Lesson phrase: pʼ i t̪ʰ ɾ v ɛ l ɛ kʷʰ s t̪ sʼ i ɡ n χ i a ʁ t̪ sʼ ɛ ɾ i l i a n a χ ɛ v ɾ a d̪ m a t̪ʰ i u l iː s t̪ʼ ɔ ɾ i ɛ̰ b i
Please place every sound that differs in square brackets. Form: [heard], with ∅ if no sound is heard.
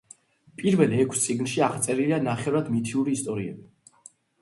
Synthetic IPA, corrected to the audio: pʼ i [∅] ɾ v ɛ l ɛ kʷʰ s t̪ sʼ i ɡ n [ʃ] i a ʁ t̪ sʼ ɛ ɾ i l i a n a χ ɛ v ɾ a d̪ m [i] t̪ʰ i u [ɾ] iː s t̪ʼ ɔ ɾ i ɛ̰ b i